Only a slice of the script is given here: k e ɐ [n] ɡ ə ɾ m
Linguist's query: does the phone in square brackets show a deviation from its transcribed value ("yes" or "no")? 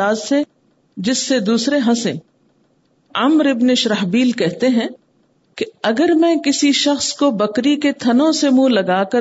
yes